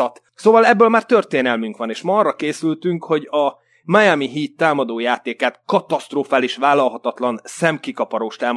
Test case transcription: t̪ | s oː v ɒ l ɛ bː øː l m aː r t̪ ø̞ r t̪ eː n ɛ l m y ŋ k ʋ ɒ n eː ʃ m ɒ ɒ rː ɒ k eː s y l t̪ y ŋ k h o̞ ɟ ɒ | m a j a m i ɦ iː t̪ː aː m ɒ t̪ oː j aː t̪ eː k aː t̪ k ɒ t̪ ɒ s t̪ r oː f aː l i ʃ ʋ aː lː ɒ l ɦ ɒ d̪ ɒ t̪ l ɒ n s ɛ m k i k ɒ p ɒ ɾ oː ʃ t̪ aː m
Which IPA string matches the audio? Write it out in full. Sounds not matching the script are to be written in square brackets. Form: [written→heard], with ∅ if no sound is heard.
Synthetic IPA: t̪ | s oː v ɒ l ɛ bː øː l m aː r t̪ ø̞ r t̪ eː n ɛ l m y ŋ k ʋ ɒ n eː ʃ m ɒ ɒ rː ɒ k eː s y l t̪ y ŋ k h o̞ ɟ ɒ | m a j a m i ɦ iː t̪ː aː m ɒ [t̪→d̪] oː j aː t̪ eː k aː t̪ k ɒ t̪ ɒ s t̪ r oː f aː l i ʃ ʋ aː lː ɒ l ɦ ɒ [d̪→t̪] ɒ t̪ l ɒ n s ɛ m k i k ɒ p ɒ ɾ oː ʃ t̪ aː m